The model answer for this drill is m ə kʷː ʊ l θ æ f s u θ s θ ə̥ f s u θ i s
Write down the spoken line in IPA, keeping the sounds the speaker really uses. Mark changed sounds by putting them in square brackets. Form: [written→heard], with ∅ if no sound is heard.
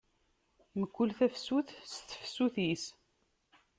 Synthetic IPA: m ə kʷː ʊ l θ æ f s u θ s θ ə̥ f s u θ i s